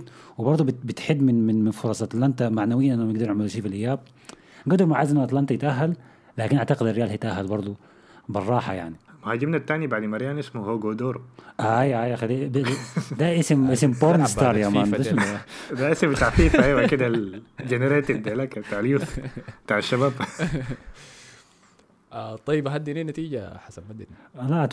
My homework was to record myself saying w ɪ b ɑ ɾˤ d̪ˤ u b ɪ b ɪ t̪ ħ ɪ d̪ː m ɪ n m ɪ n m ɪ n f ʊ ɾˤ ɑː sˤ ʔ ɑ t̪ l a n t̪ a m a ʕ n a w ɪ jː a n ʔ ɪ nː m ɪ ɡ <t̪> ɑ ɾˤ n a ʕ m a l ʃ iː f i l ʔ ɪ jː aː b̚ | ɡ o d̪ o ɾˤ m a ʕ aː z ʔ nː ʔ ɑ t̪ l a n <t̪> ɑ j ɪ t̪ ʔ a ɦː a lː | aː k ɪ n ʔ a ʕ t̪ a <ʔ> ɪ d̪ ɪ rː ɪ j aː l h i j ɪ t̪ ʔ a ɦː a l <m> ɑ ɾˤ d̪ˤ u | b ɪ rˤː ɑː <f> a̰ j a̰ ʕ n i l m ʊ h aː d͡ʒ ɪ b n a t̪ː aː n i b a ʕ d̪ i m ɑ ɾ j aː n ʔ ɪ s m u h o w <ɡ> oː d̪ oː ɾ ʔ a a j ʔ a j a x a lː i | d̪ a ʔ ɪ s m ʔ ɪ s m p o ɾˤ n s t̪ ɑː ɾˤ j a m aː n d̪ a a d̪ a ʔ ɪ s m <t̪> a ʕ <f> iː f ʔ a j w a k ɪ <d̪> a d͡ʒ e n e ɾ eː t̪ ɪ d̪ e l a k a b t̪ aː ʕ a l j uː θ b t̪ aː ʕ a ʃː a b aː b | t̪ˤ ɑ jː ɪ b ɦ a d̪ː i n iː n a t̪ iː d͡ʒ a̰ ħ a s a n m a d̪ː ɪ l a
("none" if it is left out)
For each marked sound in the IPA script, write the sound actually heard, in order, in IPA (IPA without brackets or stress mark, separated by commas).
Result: d̪, t̪, q, b, ħ, ɡ, t̪, f, d̪